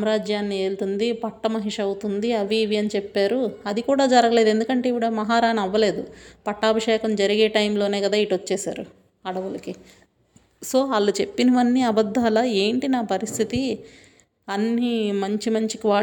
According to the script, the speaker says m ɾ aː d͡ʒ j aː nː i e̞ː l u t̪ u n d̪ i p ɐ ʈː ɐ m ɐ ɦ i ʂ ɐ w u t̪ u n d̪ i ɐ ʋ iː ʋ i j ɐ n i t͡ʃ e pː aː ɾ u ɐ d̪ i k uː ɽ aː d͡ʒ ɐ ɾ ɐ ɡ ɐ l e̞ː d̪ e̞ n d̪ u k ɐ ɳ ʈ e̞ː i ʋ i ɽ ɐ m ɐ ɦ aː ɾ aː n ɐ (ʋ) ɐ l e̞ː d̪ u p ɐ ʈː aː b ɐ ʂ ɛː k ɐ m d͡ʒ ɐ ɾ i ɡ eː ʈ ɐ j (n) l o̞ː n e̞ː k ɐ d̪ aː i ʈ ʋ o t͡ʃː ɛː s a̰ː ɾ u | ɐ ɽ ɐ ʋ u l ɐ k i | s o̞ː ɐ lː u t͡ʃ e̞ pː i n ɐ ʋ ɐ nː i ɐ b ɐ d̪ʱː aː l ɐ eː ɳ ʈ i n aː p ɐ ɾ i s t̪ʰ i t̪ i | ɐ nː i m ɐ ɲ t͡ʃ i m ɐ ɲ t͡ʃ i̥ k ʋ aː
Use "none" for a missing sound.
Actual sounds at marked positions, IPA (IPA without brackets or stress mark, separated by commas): ʋː, m